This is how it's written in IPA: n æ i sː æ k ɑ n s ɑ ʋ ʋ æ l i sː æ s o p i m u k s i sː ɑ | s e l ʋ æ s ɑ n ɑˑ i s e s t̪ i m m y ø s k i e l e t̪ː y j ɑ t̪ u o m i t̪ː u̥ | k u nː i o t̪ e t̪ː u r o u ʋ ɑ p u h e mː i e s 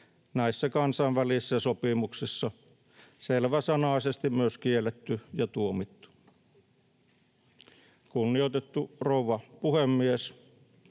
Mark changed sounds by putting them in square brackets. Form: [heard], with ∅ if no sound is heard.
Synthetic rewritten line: n æ i sː æ k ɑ n s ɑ ʋ ʋ æ l i sː æ s o p i m u k s i sː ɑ | s e l ʋ æ s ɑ n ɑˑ i s e s t̪ i m m y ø s k i e l e t̪ː y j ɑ t̪ u o m i t̪ː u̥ | k u nː i o t̪ e t̪ː u r o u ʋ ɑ p u h e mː i e s